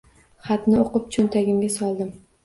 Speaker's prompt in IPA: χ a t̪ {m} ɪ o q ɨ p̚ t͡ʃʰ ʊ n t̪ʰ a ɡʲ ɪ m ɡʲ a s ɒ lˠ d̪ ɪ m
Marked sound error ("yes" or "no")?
yes